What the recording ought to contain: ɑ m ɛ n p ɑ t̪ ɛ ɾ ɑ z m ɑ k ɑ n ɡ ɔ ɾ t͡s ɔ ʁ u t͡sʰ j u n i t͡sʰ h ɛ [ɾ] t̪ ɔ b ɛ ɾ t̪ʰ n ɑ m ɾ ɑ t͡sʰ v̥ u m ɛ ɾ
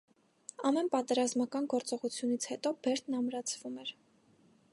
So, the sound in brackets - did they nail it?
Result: no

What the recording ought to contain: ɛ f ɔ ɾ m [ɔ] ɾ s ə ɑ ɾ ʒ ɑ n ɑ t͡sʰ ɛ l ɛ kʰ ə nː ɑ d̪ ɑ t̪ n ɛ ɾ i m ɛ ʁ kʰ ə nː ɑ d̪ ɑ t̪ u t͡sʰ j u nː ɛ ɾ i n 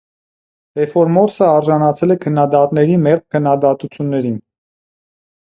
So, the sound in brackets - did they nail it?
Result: yes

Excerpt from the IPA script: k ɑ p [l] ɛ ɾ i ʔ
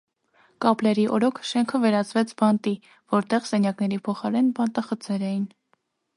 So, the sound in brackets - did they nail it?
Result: yes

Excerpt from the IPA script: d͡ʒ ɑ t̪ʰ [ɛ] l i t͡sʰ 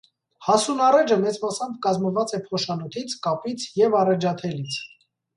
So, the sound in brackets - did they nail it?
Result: yes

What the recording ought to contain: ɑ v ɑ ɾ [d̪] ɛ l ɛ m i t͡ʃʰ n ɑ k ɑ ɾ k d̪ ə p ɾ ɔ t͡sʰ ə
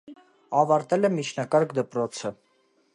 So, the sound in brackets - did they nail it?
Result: no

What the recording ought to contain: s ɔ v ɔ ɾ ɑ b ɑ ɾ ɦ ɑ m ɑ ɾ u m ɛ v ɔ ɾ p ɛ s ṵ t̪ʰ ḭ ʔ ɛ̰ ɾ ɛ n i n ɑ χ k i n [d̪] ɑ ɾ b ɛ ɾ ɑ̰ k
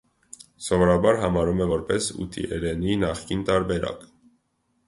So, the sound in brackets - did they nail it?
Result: no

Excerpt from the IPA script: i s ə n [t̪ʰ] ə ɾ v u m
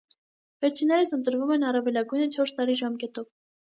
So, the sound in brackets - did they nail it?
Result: no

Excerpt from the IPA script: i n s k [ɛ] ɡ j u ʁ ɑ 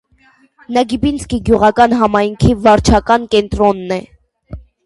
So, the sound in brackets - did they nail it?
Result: no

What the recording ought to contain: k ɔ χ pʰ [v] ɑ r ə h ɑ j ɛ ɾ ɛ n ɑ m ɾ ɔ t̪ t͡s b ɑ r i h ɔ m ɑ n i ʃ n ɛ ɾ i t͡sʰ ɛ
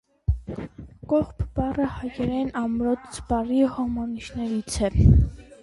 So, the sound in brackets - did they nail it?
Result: no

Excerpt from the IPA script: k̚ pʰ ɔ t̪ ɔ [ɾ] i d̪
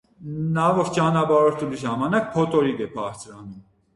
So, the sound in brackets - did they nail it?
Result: yes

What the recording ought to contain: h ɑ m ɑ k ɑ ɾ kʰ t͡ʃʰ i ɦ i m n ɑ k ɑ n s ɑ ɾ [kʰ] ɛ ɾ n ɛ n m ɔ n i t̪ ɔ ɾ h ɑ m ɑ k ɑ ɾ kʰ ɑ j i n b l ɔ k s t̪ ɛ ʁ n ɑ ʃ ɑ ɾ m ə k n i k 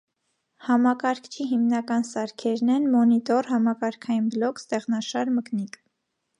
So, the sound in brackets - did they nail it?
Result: yes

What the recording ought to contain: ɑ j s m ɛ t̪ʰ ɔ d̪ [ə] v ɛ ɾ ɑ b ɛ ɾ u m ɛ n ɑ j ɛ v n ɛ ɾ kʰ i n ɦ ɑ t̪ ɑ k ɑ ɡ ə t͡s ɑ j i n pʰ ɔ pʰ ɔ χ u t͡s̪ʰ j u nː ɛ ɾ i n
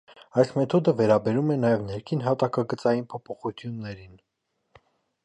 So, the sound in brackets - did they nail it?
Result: yes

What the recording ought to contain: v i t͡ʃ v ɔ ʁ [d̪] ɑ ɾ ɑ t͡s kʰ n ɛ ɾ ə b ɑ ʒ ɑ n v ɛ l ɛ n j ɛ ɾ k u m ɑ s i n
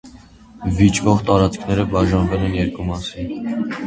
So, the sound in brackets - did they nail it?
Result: no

